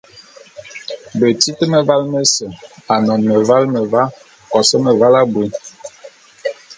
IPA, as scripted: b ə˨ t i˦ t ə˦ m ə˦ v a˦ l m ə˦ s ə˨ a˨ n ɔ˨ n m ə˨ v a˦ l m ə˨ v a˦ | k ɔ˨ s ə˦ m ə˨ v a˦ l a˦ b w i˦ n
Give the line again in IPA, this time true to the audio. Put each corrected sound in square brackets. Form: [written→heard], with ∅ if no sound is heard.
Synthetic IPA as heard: b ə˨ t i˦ t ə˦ m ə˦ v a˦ l m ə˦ s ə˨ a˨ n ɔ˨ n m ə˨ v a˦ l m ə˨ v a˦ | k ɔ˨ s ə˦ m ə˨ v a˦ l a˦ b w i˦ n